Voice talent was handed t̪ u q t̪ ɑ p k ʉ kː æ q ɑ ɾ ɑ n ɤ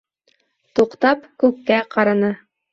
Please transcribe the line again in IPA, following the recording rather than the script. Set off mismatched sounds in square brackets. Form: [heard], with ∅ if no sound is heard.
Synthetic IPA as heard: t̪ u q t̪ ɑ p k ʉ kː æ q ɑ ɾ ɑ n ɤ